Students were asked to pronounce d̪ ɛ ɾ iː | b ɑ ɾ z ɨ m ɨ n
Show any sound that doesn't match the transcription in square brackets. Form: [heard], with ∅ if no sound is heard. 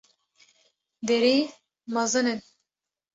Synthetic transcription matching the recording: d̪ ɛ ɾ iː | [m] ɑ [∅] z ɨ [n] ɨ n